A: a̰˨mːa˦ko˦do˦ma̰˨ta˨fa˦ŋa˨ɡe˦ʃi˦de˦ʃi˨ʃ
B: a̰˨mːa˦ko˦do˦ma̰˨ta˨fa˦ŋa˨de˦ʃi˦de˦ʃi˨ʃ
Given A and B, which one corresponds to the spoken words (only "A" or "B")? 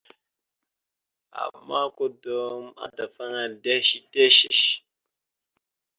B